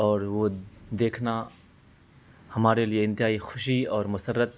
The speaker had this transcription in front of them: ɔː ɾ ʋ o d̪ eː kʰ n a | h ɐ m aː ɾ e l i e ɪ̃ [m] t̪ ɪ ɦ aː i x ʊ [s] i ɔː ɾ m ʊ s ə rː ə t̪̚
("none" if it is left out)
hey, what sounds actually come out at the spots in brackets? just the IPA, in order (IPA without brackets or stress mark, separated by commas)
n, ʃ